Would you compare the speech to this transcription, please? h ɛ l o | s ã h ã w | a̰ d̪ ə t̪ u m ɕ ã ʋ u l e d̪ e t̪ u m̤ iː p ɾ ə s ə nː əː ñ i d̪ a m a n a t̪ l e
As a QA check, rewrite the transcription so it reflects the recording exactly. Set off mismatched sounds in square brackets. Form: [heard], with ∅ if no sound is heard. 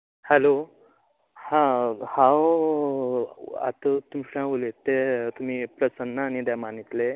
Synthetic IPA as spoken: h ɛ l o | [h] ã h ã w | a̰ [t̪] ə t̪ u m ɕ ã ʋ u l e [t̪] e t̪ u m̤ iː p ɾ ə s ə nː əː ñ i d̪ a m a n [i] t̪ l e